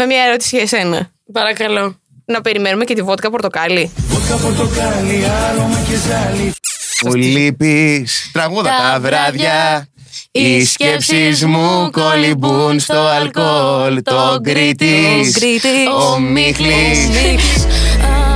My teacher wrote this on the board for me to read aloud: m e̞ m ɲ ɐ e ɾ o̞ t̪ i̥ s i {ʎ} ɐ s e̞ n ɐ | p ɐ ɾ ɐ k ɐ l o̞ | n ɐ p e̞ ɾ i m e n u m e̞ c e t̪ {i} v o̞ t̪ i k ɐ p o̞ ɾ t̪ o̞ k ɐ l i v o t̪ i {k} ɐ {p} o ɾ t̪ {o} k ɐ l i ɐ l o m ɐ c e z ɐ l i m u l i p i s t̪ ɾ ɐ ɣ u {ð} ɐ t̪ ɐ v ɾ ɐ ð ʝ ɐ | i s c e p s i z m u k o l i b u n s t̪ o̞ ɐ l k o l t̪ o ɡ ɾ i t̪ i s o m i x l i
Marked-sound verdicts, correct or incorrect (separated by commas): incorrect, correct, correct, correct, correct, correct